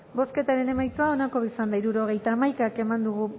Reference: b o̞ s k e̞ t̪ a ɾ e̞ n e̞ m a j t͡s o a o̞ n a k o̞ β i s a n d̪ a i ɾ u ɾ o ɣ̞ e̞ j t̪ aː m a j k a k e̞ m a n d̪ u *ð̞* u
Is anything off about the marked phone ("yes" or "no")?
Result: yes